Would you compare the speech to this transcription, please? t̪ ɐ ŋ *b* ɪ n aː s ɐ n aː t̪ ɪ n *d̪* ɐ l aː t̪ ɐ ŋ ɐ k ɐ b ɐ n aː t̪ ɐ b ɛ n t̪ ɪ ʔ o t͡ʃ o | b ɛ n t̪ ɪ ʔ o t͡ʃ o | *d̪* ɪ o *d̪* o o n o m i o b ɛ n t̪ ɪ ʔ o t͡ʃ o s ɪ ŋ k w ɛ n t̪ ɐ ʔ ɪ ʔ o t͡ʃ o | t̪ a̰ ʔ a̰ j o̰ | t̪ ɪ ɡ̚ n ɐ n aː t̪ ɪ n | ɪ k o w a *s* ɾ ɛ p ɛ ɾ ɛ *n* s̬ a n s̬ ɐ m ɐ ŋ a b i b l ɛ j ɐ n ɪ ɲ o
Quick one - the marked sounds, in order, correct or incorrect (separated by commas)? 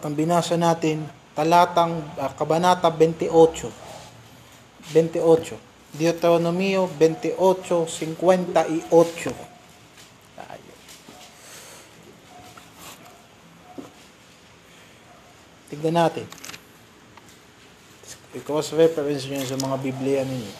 correct, incorrect, correct, incorrect, correct, correct